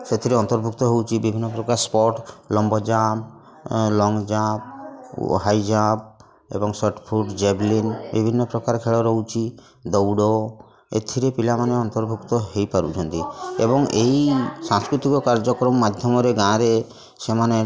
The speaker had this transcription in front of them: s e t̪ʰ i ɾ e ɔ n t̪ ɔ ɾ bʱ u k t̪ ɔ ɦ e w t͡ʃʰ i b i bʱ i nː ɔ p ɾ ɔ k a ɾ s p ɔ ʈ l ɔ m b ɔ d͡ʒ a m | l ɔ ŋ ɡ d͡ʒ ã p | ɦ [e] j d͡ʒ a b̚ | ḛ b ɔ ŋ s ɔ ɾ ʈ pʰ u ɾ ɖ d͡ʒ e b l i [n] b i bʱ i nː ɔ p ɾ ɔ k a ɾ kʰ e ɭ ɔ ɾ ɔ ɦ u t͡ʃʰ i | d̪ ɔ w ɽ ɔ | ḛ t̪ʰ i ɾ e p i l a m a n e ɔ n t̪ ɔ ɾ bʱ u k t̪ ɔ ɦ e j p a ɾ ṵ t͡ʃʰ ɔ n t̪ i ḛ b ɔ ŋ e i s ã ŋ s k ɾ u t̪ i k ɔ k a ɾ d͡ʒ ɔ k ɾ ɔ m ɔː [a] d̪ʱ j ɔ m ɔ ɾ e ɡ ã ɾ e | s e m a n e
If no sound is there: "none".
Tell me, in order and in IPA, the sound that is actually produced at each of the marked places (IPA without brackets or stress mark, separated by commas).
a, n, a